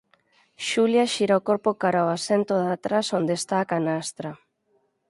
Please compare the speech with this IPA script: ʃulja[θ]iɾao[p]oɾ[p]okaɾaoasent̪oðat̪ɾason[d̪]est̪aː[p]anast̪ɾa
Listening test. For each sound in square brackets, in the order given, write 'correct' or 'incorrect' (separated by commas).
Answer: incorrect, incorrect, correct, correct, incorrect